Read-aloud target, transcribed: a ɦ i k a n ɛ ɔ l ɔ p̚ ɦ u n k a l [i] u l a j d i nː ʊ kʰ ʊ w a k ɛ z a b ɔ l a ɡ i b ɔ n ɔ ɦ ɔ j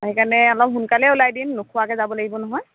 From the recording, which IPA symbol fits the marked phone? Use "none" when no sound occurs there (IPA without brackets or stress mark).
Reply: ɛ